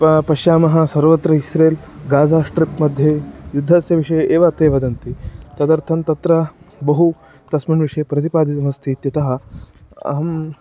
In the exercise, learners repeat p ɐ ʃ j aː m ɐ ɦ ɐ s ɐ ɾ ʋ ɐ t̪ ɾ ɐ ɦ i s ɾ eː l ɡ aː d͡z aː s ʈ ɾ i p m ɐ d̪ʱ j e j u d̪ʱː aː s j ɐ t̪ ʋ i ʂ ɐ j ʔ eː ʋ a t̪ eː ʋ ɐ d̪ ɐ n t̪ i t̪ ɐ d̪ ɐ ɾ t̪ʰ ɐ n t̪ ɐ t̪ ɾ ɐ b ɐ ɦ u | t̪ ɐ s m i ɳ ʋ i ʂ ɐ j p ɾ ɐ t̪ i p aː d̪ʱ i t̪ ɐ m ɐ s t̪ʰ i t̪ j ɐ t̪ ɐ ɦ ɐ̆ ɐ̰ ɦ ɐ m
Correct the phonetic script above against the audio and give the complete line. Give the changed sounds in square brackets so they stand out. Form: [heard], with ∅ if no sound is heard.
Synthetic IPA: p ɐ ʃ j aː m ɐ ɦ ɐ s ɐ ɾ ʋ ɐ t̪ ɾ ɐ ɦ i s ɾ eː l ɡ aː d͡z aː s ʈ ɾ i p m ɐ d̪ʱ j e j u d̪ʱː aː s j ɐ [∅] ʋ i ʂ ɐ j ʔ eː ʋ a t̪ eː ʋ ɐ d̪ ɐ n t̪ i t̪ ɐ d̪ ɐ ɾ t̪ʰ ɐ n t̪ ɐ t̪ ɾ ɐ b ɐ ɦ u | t̪ ɐ s m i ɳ ʋ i ʂ ɐ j p ɾ ɐ t̪ i p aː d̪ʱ i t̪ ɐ m ɐ s t̪ʰ i t̪ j ɐ t̪ ɐ ɦ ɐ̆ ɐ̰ ɦ ɐ m

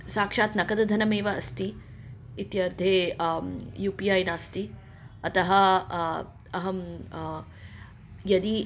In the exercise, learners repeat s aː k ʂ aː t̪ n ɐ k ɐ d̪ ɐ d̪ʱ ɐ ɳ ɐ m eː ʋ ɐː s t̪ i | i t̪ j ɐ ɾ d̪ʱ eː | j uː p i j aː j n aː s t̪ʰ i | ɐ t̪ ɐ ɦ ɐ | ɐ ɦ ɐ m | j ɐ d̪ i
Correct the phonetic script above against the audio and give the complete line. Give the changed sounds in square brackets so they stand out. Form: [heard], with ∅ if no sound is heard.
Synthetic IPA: s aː k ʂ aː t̪ n ɐ k ɐ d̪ ɐ d̪ʱ ɐ [n] ɐ m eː ʋ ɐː s t̪ i | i t̪ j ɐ ɾ d̪ʱ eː | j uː p i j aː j n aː s [t̪] i | ɐ t̪ ɐ ɦ ɐ | ɐ ɦ ɐ m | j ɐ d̪ i

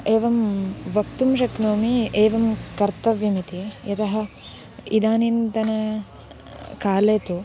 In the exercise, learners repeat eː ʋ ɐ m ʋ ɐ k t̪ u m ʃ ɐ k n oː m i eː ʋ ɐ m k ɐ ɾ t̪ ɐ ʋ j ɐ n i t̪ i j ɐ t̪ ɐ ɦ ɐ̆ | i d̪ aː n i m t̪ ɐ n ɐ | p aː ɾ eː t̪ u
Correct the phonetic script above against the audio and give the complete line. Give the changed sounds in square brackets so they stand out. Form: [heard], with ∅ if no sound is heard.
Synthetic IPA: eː ʋ ɐ m ʋ ɐ k t̪ u m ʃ ɐ k n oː m i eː ʋ ɐ m k ɐ ɾ t̪ ɐ ʋ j ɐ [m] i t̪ i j ɐ t̪ ɐ ɦ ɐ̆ | i d̪ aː n i [n] t̪ ɐ n ɐ | [k] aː [l] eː t̪ u

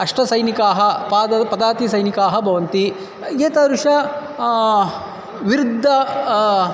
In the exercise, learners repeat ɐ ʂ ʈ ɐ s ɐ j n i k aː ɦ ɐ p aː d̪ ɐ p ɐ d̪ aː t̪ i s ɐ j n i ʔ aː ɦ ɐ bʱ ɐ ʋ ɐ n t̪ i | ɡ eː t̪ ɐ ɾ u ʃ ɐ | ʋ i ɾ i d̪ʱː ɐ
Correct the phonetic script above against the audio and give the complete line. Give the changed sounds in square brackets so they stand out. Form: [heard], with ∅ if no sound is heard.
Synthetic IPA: ɐ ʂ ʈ ɐ s ɐ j n i k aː ɦ ɐ p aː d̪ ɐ p ɐ d̪ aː t̪ i s ɐ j n i [k] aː ɦ ɐ bʱ ɐ ʋ ɐ n t̪ i | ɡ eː t̪ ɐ ɾ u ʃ ɐ | ʋ i ɾ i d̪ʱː ɐ

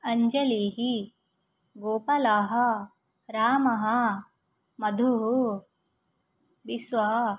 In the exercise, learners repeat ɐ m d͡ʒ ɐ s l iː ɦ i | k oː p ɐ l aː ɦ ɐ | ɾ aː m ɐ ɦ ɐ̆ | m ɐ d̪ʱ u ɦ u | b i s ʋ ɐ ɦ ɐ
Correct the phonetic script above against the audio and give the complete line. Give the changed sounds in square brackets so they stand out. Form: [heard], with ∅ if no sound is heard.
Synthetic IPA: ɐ [ɲ] d͡ʒ ɐ [∅] l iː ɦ i | [ɡ] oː p ɐ l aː ɦ ɐ | ɾ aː m ɐ ɦ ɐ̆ | m ɐ d̪ʱ u ɦ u | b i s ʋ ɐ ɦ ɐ

